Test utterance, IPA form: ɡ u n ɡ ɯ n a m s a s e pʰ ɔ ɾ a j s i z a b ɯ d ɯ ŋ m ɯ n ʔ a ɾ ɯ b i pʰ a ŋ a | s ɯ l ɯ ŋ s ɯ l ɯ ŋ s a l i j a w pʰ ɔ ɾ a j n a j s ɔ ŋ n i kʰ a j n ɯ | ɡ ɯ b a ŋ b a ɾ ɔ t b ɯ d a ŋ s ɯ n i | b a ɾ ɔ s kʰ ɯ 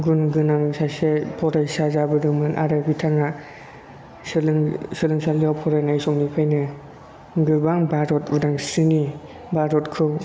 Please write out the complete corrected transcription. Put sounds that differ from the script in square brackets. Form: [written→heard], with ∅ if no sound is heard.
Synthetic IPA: ɡ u n ɡ ɯ n a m s a s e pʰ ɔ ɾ a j s [i→a] z a b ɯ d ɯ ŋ m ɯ n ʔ a ɾ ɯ b i [pʰ→tʰ] a ŋ a | s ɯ l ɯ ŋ s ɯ l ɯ ŋ s a l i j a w pʰ ɔ ɾ a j n a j s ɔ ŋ n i [kʰ→pʰ] a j n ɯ | ɡ ɯ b a ŋ b a ɾ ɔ t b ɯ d a ŋ s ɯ n i | b a ɾ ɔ [s→t] kʰ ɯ